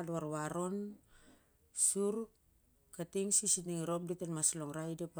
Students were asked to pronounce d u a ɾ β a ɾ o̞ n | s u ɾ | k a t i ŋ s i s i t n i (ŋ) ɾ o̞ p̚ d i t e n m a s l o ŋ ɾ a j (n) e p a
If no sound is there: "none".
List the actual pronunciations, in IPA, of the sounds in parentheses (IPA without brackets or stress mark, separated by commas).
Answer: ŋ, d